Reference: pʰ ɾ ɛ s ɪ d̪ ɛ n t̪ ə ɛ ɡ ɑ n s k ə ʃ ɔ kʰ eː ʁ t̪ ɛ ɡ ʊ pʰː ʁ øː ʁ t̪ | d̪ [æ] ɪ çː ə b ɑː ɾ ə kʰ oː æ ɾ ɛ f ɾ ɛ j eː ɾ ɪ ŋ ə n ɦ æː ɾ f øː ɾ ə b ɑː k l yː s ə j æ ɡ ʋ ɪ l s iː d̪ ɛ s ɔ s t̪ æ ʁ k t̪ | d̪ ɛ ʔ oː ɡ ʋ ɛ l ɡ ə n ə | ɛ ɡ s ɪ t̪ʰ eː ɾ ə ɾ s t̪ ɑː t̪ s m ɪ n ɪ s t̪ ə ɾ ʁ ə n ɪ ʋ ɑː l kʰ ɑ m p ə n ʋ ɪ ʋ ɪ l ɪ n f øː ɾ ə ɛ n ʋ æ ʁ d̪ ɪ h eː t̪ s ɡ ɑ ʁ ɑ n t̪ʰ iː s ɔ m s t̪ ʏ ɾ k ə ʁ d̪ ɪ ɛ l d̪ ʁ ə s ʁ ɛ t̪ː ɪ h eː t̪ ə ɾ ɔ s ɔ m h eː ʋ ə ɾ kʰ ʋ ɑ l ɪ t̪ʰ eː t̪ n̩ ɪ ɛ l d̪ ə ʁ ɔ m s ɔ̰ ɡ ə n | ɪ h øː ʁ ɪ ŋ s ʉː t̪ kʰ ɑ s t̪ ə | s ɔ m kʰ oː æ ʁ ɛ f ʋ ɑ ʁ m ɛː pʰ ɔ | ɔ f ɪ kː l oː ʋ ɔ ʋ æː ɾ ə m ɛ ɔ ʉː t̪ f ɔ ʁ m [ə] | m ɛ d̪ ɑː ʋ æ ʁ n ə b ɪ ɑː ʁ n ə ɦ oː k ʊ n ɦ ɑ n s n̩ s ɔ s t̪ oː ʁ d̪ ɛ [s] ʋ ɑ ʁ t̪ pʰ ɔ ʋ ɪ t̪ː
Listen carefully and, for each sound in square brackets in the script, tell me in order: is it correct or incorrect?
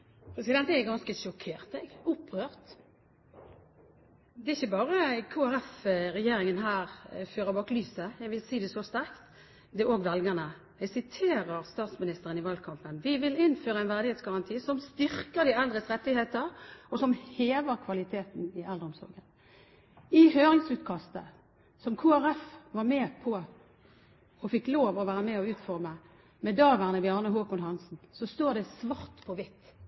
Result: incorrect, correct, correct

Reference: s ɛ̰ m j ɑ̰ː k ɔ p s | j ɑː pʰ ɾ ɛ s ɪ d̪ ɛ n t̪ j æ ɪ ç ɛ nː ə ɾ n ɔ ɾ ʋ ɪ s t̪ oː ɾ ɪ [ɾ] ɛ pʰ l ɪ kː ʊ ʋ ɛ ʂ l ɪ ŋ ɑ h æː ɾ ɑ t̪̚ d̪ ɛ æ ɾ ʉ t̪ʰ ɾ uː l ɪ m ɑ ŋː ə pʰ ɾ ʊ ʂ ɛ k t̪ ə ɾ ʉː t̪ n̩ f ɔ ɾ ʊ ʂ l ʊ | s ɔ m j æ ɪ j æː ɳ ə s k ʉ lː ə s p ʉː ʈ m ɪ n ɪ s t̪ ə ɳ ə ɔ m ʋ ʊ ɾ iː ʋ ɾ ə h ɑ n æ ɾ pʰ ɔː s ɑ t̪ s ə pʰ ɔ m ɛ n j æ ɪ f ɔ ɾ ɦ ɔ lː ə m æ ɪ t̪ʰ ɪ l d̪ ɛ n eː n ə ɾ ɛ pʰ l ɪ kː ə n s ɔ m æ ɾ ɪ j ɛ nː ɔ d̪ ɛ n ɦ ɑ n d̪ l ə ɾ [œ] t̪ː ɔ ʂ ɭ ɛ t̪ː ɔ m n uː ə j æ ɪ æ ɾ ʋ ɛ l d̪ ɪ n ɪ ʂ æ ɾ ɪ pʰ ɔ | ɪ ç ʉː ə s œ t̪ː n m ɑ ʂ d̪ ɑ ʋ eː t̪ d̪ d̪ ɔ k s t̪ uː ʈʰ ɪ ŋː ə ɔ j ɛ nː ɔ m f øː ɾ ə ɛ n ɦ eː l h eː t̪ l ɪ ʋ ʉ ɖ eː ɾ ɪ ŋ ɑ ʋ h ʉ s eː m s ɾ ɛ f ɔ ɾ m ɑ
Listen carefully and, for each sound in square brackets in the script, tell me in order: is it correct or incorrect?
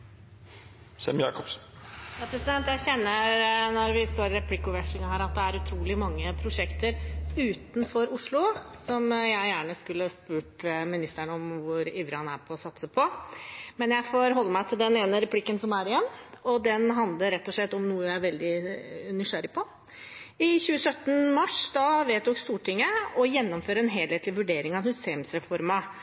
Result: correct, incorrect

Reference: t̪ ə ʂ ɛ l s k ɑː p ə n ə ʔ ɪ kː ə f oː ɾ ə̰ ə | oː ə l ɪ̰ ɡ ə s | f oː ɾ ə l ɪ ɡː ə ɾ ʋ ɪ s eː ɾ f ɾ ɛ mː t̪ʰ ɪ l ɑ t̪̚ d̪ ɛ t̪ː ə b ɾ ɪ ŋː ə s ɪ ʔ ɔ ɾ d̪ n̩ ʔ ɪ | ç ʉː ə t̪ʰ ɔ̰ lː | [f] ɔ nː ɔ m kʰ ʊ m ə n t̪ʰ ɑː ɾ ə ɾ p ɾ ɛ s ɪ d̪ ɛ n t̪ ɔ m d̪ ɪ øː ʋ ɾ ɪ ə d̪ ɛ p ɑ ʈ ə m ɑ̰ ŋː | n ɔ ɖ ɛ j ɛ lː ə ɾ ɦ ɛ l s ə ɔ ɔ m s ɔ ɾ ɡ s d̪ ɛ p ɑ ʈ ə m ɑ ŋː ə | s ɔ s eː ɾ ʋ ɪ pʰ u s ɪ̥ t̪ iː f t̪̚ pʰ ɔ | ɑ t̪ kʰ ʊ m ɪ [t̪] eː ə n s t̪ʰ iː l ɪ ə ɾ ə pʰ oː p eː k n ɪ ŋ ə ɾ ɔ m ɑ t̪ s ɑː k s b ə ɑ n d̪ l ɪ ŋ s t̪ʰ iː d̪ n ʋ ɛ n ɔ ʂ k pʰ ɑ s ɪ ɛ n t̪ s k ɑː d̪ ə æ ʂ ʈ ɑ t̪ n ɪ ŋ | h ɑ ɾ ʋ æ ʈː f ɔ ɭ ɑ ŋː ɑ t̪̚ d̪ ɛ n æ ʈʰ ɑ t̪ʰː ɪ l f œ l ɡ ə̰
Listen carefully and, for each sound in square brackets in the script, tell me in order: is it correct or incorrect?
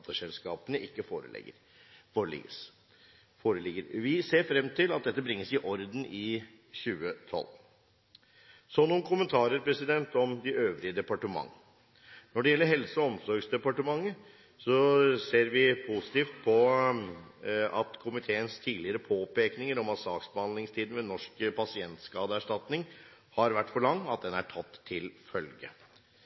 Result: incorrect, incorrect

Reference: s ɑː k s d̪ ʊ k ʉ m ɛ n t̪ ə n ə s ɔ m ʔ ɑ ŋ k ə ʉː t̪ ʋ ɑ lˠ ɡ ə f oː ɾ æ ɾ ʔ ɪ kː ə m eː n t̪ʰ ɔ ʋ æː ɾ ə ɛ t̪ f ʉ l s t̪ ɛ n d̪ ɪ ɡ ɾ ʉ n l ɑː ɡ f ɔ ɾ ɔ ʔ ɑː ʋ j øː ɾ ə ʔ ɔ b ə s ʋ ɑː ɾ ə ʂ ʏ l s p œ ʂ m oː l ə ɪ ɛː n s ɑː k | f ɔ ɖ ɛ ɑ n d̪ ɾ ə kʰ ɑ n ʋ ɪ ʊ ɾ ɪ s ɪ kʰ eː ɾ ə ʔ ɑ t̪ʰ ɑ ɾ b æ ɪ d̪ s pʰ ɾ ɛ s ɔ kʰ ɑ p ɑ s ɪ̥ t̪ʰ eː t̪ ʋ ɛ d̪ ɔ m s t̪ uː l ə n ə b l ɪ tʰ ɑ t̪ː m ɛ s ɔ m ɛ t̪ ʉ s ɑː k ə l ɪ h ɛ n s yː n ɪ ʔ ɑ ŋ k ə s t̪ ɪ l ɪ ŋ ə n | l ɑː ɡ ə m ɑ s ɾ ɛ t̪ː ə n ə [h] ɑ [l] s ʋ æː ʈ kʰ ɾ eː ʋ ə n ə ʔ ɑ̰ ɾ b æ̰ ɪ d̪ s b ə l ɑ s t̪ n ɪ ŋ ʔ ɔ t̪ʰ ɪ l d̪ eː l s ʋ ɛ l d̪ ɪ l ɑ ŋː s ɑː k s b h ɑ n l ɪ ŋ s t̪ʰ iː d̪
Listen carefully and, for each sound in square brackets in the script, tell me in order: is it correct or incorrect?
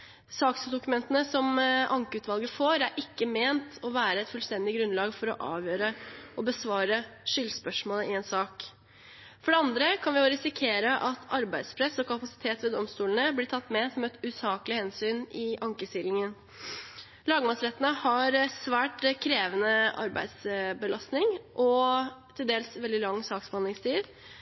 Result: correct, incorrect

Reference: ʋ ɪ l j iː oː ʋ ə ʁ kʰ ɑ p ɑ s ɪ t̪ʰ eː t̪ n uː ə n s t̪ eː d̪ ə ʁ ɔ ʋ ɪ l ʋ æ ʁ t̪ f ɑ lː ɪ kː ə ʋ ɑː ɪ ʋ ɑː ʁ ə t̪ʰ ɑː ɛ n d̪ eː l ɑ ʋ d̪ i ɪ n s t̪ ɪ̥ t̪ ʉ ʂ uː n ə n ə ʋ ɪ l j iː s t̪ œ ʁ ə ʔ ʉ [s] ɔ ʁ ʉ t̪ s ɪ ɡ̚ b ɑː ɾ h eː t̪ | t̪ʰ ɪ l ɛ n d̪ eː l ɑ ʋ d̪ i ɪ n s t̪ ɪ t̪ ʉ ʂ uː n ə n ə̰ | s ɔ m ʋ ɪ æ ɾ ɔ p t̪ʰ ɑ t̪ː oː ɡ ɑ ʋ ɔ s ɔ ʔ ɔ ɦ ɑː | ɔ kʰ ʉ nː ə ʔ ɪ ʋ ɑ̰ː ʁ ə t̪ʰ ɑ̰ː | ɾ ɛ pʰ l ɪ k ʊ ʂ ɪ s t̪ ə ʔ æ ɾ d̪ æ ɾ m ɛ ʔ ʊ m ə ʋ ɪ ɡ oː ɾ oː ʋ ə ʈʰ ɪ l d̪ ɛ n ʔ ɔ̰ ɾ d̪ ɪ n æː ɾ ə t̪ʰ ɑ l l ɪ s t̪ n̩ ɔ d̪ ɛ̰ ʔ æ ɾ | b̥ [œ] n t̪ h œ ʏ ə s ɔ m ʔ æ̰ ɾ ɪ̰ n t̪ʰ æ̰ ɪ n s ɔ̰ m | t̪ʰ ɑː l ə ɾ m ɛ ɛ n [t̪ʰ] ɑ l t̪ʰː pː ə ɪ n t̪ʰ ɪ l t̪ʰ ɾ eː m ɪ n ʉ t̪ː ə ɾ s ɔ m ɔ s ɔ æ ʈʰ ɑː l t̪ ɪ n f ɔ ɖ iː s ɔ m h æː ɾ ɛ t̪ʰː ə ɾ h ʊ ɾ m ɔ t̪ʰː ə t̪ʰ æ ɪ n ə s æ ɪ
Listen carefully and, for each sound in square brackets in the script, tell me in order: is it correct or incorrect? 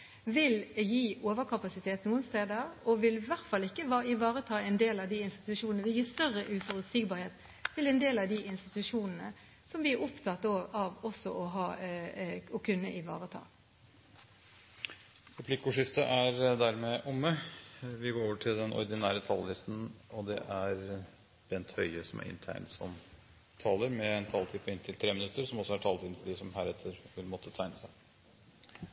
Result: incorrect, incorrect, correct

